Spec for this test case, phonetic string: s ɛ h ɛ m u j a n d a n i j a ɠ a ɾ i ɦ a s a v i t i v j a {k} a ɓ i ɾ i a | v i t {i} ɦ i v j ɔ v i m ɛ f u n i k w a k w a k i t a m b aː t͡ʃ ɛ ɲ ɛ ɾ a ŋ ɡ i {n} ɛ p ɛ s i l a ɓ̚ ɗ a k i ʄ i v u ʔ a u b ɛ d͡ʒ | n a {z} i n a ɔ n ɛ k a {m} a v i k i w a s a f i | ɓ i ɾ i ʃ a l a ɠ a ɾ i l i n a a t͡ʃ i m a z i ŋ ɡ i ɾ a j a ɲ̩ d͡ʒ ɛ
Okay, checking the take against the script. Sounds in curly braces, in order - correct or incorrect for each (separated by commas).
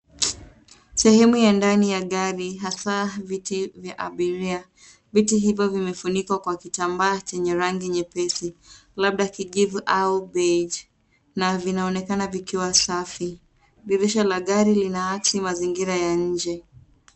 incorrect, correct, incorrect, incorrect, incorrect